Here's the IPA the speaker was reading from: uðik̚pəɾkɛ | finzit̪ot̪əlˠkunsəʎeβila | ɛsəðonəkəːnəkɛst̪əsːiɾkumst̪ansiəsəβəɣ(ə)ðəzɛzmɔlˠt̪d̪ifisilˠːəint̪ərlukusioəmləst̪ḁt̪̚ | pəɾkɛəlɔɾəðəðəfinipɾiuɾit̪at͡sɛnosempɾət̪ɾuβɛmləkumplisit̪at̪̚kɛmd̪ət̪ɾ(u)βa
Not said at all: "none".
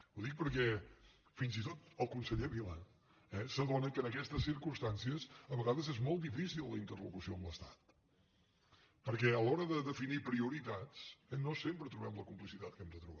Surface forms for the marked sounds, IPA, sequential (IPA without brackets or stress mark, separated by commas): a, u